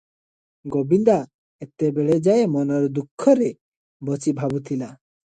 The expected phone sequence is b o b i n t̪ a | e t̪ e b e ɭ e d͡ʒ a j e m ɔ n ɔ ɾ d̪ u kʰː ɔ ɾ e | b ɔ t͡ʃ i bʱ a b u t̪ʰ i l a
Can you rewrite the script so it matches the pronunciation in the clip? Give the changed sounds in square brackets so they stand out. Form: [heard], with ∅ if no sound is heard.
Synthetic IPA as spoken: [ɡ] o b i n [d̪] a | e t̪ e b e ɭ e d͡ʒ a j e m ɔ n ɔ ɾ d̪ u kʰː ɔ ɾ e | b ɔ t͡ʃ i bʱ a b u t̪ʰ i l a